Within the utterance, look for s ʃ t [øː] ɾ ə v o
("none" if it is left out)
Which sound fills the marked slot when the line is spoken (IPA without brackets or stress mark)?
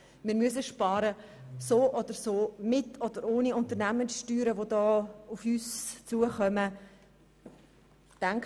yː